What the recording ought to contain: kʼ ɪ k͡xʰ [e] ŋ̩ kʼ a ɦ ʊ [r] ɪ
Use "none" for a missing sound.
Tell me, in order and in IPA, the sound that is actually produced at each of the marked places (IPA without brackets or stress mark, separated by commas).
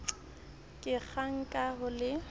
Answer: a, l